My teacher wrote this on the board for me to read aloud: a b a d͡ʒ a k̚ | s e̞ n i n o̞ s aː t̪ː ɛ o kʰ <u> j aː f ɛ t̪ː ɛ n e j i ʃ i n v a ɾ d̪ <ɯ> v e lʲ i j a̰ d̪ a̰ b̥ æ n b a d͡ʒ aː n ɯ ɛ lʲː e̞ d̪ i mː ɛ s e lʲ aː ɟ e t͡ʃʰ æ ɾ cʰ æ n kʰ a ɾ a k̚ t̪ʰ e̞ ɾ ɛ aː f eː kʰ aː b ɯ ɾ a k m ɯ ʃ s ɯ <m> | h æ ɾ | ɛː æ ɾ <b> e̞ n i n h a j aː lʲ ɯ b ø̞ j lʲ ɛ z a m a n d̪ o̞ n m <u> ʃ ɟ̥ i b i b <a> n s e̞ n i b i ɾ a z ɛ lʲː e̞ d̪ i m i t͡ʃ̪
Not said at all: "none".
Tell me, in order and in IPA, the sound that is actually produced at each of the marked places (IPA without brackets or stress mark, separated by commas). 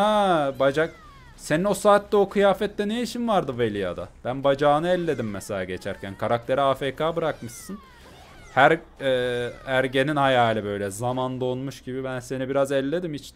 ɯ, ɯ, n, ɟ, u, æ